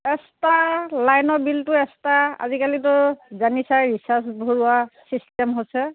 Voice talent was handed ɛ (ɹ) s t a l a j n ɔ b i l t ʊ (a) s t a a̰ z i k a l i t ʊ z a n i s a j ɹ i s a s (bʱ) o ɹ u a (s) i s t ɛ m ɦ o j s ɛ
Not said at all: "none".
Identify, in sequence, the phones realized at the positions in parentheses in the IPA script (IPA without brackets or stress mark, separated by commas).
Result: none, ɛ, bʱ, s